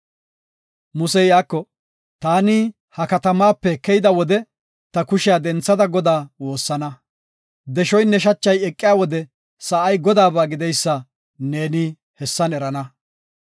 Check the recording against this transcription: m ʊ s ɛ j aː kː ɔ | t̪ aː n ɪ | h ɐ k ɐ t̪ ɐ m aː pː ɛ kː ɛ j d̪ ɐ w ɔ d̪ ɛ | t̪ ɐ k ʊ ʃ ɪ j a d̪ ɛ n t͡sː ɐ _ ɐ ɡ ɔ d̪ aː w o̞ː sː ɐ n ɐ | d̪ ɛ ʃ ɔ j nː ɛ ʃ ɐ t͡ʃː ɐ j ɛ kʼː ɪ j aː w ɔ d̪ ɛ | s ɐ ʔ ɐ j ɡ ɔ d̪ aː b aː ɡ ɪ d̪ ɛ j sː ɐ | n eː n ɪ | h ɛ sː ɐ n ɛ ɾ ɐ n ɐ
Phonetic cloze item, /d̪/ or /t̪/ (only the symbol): d̪